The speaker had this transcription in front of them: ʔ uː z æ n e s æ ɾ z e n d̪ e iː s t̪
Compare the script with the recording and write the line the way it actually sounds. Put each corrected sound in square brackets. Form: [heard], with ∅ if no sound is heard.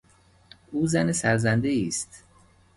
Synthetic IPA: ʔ uː z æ n e s æ ɾ z [æ] n d̪ e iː s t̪